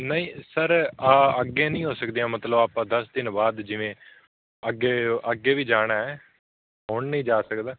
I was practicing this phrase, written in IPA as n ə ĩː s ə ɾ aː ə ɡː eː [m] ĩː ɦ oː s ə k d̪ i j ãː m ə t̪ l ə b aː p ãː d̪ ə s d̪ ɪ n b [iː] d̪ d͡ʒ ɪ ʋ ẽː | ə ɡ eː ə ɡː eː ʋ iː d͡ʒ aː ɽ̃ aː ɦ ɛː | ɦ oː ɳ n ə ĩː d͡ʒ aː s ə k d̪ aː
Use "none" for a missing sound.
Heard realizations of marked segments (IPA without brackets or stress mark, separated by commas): n, aː